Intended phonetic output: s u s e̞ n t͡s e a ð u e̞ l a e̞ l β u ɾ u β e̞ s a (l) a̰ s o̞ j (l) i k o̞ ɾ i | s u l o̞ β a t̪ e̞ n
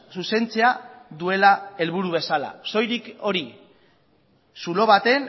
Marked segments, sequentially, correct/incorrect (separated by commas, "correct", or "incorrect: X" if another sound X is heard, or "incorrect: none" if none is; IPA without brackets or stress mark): correct, incorrect: ɾ